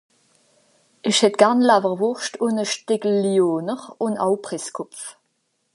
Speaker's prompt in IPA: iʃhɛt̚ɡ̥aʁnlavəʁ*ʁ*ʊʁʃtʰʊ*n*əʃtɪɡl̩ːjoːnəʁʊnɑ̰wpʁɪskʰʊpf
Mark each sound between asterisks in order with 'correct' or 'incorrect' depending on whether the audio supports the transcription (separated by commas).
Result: incorrect, correct